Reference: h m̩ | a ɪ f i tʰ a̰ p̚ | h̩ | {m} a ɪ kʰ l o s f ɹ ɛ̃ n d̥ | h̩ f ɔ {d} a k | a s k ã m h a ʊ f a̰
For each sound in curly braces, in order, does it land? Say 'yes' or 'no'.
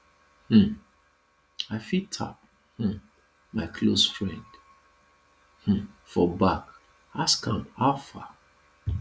yes, no

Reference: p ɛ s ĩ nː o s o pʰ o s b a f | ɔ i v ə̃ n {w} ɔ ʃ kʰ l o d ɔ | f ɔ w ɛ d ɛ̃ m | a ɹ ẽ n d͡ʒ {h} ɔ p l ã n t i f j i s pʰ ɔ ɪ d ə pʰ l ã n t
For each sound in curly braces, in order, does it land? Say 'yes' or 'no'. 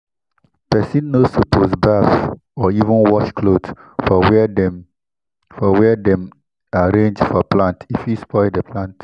yes, no

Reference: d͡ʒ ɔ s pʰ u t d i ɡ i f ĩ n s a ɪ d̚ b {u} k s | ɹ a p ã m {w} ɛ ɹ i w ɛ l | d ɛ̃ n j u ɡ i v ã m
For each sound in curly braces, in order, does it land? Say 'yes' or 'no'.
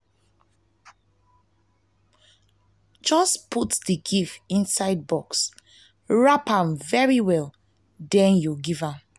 no, no

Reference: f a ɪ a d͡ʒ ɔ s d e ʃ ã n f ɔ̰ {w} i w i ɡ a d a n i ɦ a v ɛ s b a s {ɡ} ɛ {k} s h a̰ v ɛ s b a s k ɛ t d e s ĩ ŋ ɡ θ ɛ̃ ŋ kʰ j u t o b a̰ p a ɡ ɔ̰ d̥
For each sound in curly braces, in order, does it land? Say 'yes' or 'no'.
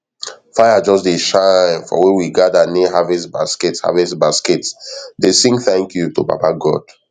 yes, no, no

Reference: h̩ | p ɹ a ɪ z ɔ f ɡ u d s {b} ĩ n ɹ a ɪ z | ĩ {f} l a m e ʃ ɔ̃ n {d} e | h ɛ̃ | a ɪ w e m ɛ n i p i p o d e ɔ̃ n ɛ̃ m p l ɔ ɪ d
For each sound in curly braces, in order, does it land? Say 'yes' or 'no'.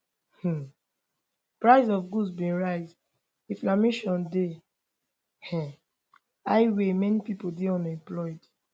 yes, yes, yes

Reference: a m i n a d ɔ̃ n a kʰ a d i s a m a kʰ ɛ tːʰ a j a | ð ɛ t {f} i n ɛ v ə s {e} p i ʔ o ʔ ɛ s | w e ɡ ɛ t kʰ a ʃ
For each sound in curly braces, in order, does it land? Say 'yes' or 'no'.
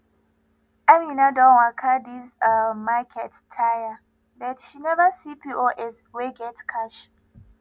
no, no

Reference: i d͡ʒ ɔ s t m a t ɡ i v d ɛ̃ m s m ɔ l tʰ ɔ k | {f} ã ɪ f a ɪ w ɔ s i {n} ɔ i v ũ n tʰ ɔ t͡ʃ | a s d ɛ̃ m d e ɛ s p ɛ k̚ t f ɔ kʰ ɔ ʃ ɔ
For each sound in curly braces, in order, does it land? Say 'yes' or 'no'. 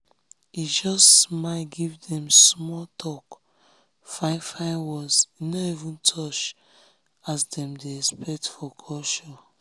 yes, yes

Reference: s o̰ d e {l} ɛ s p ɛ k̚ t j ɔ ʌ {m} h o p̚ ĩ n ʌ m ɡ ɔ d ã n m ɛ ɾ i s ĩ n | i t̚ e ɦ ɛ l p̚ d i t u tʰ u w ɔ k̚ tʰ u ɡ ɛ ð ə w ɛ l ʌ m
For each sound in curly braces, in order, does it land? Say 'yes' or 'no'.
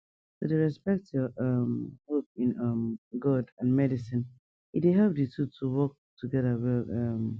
no, yes

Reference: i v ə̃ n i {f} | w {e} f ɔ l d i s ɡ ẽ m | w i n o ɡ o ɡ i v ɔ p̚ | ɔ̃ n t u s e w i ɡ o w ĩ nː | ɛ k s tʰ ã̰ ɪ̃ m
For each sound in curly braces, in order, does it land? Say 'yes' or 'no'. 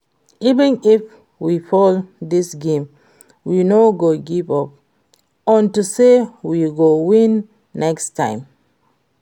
yes, no

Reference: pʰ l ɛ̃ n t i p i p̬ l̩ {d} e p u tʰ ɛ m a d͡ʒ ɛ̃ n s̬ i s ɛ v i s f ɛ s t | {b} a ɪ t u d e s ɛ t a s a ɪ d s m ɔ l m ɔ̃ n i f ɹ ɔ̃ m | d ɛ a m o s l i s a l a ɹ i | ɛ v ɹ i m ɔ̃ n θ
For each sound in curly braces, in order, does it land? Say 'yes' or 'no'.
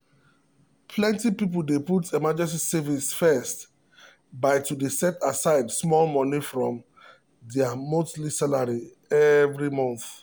yes, yes

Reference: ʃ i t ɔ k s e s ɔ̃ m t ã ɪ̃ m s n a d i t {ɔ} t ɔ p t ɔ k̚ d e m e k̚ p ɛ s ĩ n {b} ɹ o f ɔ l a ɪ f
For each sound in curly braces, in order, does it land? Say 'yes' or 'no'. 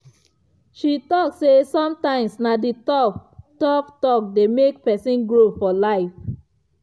yes, no

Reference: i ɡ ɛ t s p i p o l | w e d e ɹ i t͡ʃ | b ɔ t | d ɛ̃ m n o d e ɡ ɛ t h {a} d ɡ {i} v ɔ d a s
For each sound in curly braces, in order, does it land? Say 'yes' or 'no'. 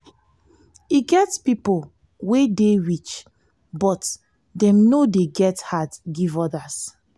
yes, yes

